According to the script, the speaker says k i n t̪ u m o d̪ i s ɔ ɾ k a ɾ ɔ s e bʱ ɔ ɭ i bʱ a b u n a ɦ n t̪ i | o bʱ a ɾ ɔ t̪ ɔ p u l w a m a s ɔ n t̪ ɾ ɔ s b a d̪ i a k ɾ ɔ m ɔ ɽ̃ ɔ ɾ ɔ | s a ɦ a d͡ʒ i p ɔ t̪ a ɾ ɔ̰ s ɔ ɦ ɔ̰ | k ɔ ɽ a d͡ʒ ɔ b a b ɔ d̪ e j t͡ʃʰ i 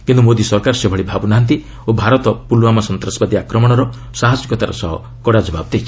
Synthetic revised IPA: k i n t̪ u m o d̪ i s ɔ ɾ k a ɾ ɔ s e bʱ ɔ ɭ i bʱ a b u n a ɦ n t̪ i | o bʱ a ɾ ɔ t̪ ɔ p u l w a m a s ɔ n t̪ ɾ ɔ s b a d̪ i a k ɾ ɔ m ɔ ɽ̃ ɔ ɾ ɔ | s a ɦ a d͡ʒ i k ɔ t̪ a ɾ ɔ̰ s ɔ ɦ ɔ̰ | k ɔ ɽ a d͡ʒ ɔ b a b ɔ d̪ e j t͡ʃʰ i